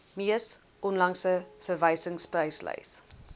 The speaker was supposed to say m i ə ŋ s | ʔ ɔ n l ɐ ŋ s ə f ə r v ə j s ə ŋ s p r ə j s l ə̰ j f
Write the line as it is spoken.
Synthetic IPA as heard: m i ə s | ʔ ɔ n l ɐ ŋ s ə f ə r v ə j s ə ŋ s p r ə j s l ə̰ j s